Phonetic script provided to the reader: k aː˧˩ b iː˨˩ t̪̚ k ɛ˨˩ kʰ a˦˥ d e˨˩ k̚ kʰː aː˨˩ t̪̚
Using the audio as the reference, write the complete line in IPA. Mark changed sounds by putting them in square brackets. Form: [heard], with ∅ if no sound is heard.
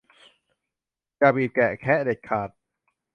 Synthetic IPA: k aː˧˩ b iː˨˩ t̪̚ k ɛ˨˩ kʰ [ɛ˦˥] d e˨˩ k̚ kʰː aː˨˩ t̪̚